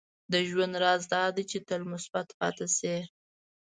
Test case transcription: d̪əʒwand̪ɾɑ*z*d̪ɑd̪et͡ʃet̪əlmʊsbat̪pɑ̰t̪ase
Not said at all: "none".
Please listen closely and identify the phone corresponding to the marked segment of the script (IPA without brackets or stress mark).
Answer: z